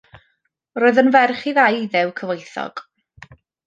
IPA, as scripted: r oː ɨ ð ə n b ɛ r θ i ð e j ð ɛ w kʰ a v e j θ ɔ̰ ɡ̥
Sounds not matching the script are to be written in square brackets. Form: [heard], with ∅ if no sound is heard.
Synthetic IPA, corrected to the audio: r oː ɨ ð ə n [v] ɛ r [χ] i ð [a] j ð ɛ w kʰ [ə] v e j θ ɔ̰ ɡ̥